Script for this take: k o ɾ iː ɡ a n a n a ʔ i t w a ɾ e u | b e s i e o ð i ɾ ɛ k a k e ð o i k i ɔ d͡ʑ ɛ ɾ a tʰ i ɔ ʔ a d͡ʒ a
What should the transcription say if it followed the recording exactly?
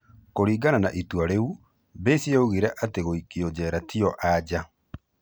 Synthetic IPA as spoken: k o ɾ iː ɡ a n a n a ʔ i t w a ɾ e u | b e s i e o ɣ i ɾ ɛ ʔ a t e ɣ o i k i ɔ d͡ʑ ɛ ɾ a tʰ i ɔ ʔ a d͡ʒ a